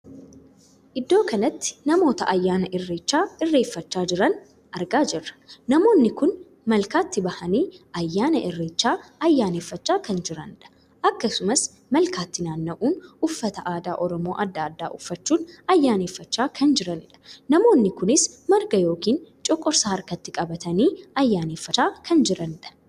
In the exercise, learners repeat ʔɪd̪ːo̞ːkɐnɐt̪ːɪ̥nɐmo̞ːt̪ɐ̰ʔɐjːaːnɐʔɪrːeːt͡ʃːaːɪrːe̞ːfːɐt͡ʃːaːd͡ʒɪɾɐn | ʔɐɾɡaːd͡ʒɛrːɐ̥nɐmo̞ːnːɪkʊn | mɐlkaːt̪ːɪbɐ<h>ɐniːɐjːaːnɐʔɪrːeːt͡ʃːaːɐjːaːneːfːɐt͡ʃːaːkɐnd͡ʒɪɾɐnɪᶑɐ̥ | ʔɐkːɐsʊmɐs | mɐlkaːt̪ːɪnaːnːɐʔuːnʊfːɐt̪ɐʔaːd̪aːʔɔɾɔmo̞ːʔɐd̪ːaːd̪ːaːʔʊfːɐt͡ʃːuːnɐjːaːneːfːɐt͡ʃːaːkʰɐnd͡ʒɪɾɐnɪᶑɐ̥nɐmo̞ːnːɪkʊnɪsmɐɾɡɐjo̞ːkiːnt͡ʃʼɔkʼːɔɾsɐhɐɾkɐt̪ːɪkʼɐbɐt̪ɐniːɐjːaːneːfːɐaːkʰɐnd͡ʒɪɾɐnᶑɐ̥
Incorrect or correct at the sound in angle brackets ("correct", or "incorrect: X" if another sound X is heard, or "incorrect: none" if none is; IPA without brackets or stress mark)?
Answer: correct